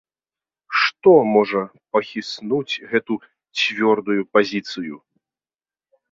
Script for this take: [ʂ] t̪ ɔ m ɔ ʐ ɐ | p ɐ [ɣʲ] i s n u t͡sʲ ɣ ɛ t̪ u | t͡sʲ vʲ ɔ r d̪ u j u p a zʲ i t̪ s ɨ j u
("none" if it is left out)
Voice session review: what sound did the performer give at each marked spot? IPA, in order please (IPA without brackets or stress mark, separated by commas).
ʂ, xʲ